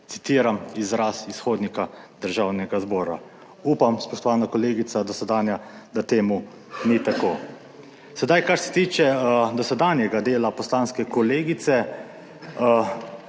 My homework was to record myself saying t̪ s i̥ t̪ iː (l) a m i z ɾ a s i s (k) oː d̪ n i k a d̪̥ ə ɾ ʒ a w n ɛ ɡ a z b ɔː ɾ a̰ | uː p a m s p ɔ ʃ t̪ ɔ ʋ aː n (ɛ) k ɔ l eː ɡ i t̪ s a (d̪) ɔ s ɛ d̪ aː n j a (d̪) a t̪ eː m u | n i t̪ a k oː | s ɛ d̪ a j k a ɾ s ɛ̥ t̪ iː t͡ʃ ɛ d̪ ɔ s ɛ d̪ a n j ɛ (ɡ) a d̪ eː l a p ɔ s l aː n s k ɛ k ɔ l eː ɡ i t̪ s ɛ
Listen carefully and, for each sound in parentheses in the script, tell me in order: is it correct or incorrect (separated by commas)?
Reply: incorrect, incorrect, incorrect, correct, correct, correct